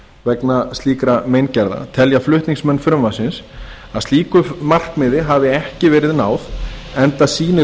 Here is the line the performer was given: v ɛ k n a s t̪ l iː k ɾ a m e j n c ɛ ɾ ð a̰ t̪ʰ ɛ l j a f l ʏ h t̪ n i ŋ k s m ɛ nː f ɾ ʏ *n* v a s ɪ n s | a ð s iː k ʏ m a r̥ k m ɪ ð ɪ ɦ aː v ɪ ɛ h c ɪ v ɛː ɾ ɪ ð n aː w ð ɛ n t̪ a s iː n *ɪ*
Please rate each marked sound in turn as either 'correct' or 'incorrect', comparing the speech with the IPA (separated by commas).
incorrect, correct